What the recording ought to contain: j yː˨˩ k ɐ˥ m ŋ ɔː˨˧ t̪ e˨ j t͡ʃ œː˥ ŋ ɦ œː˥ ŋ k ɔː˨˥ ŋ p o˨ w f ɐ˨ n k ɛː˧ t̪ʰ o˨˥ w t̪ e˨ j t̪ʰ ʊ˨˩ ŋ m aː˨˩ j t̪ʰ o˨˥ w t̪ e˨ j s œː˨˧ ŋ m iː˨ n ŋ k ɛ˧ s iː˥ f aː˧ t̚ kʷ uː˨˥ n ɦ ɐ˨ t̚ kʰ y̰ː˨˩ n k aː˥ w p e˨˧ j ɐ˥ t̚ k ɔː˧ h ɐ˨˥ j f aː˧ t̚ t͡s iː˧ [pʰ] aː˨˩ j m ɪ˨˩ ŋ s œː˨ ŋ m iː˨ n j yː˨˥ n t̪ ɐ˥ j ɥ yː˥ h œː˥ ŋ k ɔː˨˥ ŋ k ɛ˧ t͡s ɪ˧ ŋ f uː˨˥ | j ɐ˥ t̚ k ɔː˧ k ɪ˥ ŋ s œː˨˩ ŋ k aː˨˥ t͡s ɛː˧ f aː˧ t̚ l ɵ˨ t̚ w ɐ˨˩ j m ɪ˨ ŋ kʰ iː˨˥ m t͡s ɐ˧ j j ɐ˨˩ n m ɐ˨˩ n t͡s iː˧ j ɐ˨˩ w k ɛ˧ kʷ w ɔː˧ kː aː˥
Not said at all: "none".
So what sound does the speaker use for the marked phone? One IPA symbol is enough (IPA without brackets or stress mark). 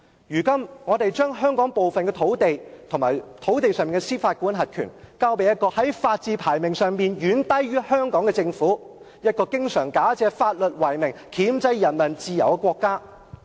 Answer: pʰ